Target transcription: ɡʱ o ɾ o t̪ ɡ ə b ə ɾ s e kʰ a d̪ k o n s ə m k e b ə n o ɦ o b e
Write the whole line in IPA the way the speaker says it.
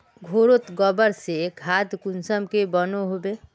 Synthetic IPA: ɡʱ o ɾ o t̪ ɡ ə b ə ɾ s e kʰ a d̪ k u n s ə m k e b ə n o ɦ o b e